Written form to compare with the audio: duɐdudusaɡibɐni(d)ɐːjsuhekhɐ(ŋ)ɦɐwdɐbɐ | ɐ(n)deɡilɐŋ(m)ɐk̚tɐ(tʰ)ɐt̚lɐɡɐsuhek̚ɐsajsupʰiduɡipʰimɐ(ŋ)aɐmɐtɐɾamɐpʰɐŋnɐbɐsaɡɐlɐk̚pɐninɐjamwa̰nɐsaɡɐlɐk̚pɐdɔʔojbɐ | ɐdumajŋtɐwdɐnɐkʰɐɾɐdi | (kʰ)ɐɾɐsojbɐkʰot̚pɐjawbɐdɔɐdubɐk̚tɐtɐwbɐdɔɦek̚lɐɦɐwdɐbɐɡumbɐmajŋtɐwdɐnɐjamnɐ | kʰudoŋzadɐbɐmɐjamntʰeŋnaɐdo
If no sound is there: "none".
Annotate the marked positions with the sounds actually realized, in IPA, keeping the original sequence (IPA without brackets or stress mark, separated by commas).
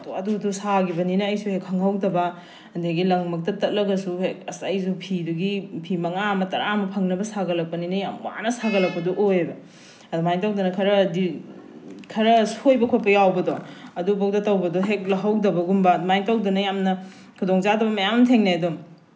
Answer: n, ŋ, n, m, t, ŋ, kʰ